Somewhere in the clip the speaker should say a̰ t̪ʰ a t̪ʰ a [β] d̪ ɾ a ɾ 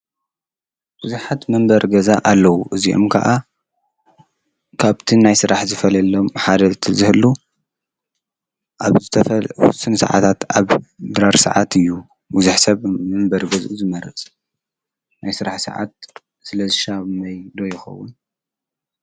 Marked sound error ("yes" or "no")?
no